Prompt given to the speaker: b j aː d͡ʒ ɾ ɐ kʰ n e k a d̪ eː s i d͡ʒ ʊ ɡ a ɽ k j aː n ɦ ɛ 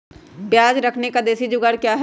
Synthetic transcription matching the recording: b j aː d͡ʒ ɾ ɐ kʰ n e k a d̪ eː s i d͡ʒ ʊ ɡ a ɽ k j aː ɦ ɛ